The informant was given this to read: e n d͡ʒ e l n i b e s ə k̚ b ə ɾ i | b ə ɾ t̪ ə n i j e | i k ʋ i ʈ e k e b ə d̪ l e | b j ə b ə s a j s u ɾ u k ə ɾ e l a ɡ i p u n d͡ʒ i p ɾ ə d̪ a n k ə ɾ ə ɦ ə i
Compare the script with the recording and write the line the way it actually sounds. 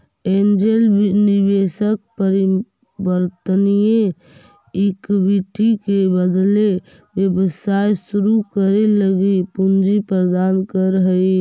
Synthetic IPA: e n d͡ʒ e l n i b e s ə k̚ p ə ɾ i | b ə ɾ t̪ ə n i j e | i k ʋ i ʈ i k e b ə d̪ l e | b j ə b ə s a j s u ɾ u k ə ɾ e l ə ɡ i p u n d͡ʒ i p ɾ ə d̪ a n k ə ɾ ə ɦ ə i